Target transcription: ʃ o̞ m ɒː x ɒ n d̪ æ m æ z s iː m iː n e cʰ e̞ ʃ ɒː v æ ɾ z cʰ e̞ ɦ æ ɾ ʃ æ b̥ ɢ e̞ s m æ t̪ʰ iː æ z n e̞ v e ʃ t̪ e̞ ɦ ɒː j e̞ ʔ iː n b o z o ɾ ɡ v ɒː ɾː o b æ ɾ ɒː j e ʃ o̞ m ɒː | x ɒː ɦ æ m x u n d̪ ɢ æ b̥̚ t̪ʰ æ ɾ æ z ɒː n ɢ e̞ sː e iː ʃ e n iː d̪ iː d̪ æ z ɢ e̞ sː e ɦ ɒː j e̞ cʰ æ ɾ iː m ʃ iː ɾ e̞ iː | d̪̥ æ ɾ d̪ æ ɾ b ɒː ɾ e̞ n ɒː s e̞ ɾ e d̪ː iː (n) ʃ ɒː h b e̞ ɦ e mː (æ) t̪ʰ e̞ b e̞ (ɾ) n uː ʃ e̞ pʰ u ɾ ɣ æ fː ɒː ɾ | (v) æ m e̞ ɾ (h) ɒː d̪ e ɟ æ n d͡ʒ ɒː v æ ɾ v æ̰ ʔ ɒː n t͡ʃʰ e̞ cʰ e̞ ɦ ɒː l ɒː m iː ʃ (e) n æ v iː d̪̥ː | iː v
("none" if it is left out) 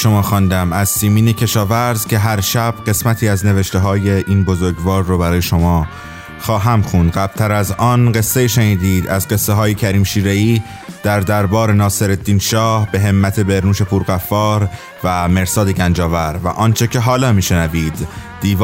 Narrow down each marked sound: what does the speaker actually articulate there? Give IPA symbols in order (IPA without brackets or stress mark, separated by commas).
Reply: n, æ, ɾ, v, s, e